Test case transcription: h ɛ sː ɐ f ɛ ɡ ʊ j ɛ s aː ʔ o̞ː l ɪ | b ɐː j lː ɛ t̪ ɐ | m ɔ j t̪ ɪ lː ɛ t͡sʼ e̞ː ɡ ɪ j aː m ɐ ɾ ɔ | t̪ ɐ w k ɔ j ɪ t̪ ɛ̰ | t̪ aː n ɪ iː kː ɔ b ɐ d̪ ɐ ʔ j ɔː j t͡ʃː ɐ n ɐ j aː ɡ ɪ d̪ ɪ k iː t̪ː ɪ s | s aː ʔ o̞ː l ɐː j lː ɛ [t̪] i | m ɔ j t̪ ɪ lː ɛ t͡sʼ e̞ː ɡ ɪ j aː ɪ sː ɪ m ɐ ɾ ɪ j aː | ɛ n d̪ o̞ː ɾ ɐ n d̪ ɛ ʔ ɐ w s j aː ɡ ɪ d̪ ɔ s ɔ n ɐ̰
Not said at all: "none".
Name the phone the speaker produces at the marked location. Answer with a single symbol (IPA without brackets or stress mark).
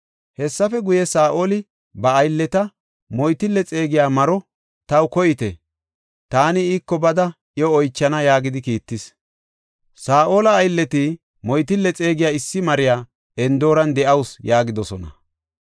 t̪